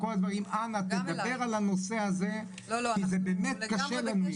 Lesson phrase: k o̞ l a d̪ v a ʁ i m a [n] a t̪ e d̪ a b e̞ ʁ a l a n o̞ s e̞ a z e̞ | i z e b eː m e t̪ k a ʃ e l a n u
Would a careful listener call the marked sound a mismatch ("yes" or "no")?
no